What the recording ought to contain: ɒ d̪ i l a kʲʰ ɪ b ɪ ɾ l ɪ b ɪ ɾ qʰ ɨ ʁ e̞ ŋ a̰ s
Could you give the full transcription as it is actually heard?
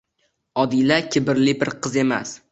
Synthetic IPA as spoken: ɒ d̪ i l a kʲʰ ɪ b ɪ ɾ l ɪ b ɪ ɾ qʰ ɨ z e̞ m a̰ s